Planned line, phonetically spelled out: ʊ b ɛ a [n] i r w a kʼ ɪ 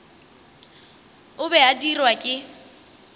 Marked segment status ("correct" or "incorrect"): incorrect